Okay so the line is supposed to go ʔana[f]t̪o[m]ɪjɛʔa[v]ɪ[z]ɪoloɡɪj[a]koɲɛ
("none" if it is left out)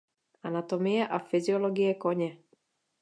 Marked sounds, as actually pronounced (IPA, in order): none, m, f, z, ɛ

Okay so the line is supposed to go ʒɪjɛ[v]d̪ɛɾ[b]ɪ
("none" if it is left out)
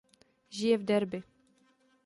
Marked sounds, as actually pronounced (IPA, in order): v, b

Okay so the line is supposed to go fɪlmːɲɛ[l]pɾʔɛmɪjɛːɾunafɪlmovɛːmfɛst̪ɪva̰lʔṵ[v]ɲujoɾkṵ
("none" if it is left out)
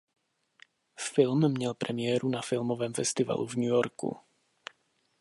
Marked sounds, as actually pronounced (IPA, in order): l, v

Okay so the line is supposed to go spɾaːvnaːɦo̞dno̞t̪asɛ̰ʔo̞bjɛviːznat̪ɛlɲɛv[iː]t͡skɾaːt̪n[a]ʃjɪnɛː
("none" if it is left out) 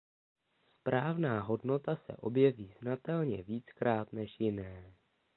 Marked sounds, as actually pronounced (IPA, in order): iː, ɛ

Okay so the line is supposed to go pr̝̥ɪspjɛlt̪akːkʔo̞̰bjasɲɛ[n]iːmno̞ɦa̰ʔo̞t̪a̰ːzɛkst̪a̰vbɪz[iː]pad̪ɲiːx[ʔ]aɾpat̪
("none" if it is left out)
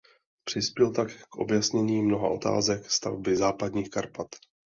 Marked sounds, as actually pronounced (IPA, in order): ɲ, aː, k

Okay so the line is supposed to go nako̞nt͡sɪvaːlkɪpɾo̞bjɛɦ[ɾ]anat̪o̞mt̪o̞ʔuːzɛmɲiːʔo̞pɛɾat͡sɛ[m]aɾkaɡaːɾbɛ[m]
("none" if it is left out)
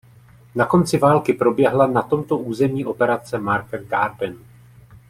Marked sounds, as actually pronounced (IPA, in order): l, m, n

